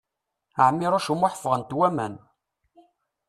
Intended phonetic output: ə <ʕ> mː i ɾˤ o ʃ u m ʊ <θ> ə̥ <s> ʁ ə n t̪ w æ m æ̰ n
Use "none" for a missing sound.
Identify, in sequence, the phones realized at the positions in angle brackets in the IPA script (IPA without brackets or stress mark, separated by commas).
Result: ʕ, ħ, f